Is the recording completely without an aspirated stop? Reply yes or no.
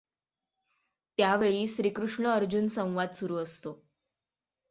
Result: yes